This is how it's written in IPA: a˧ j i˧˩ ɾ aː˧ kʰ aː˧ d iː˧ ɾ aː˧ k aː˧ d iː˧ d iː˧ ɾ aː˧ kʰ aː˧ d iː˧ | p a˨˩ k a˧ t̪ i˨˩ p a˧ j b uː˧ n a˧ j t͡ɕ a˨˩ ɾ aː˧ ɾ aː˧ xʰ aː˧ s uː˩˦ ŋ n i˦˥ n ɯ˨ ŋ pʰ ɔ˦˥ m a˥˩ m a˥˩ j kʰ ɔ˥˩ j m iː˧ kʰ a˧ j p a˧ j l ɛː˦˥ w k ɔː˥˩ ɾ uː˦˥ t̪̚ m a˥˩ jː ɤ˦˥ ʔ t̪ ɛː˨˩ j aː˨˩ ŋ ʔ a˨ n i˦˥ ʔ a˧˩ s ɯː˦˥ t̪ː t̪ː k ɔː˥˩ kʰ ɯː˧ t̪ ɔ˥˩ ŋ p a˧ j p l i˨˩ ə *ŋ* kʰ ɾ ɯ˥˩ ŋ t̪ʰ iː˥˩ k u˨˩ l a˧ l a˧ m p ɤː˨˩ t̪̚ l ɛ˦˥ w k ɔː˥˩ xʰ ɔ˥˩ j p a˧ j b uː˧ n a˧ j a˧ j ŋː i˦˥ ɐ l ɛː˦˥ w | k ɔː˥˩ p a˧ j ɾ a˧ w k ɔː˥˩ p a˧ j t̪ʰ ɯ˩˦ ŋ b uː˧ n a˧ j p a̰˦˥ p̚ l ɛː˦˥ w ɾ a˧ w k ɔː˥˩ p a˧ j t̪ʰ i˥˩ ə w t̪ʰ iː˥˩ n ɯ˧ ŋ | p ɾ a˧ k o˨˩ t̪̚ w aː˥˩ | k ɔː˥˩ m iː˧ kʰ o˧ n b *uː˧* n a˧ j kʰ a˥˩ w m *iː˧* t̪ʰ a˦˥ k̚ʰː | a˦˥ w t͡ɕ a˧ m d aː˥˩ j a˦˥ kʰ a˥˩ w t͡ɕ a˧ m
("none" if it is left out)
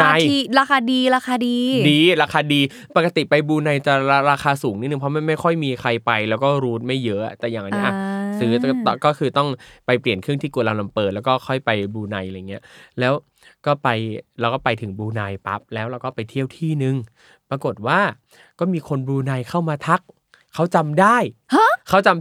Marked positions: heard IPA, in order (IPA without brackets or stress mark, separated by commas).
n, uː˧, aː˧